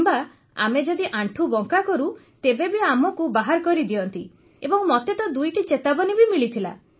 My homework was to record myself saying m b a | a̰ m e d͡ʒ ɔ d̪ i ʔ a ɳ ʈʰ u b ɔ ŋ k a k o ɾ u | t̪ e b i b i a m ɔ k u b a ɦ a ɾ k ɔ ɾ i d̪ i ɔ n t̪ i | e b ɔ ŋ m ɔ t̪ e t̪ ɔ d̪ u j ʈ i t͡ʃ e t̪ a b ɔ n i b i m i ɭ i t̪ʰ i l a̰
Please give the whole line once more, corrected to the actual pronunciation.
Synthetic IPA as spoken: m b a | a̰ m e d͡ʒ ɔ d̪ i ʔ a ɳ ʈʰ u b ɔ ŋ k a k ɔ ɾ u | t̪ e b e b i a m ɔ k u b a ɦ a ɾ k ɔ ɾ i d̪ i ɔ n t̪ i | e b ɔ ŋ m ɔ t̪ e t̪ ɔ d̪ u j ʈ i t͡ʃ e t̪ a b ɔ n i b i m i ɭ i t̪ʰ i l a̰